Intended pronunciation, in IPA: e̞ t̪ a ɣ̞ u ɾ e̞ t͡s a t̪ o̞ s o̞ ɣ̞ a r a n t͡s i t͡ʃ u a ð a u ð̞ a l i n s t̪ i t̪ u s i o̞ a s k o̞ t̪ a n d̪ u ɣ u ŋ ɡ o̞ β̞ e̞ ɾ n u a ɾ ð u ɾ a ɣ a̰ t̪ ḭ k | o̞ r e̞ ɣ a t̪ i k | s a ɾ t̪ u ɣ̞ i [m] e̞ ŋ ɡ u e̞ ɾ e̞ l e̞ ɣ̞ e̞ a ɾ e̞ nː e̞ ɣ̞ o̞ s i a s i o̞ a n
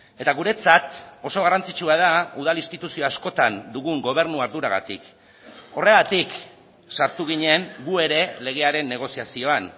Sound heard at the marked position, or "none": ɲ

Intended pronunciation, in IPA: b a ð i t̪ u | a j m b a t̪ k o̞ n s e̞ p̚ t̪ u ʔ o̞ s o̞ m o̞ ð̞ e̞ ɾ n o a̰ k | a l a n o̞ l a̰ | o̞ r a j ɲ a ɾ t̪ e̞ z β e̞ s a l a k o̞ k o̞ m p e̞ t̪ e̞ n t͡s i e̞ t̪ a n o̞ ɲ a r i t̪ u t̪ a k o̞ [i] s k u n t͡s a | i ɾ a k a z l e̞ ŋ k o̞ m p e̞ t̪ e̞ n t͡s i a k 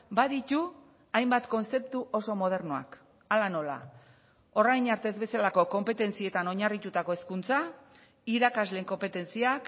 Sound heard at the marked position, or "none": e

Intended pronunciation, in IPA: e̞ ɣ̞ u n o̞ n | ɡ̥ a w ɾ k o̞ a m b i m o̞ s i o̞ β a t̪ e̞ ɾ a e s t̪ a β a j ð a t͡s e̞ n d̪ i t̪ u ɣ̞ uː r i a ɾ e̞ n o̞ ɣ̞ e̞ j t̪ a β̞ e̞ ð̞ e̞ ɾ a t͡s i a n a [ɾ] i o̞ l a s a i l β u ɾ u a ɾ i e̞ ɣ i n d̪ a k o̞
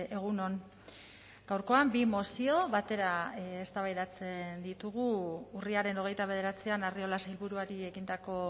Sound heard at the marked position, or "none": r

